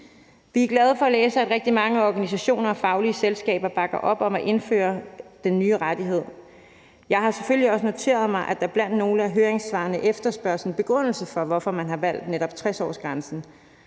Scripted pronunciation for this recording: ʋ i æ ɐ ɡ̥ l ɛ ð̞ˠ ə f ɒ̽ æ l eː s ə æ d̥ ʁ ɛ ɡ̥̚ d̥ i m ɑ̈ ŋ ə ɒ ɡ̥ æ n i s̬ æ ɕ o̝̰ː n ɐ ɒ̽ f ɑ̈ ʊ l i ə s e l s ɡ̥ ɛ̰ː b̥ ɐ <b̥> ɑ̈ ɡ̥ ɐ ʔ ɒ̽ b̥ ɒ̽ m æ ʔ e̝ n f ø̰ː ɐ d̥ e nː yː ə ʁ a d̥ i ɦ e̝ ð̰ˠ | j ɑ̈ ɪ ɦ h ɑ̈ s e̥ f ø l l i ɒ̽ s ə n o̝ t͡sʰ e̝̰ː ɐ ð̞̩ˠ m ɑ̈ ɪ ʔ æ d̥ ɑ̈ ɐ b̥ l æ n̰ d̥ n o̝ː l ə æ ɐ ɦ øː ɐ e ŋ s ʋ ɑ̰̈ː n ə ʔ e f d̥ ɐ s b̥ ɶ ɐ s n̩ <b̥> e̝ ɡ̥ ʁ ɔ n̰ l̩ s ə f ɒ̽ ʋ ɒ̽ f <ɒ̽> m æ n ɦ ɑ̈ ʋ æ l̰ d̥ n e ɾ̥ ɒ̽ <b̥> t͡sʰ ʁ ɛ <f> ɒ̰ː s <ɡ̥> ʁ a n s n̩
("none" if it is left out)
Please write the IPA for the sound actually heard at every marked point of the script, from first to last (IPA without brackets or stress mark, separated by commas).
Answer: b̥, b̥, ɒ̽, b̥, s, ɡ̥